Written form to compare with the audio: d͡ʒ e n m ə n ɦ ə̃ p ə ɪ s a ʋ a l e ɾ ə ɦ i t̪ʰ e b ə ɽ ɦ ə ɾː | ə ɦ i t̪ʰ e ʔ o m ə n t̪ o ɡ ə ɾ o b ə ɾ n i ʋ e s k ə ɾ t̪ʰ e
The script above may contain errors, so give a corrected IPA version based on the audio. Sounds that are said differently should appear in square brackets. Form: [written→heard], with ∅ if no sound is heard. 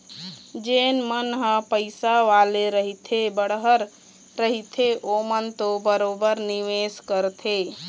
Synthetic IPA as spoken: d͡ʒ e n m ə n ɦ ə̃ p ə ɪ s a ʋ a l e ɾ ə ɦ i t̪ʰ e b ə ɽ ɦ ə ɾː | ə ɦ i t̪ʰ e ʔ o m ə n t̪ o [ɡ→b] ə ɾ o b ə ɾ n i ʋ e s k ə ɾ t̪ʰ e